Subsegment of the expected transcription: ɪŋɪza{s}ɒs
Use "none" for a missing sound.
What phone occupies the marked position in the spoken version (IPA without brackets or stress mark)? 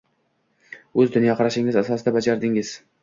s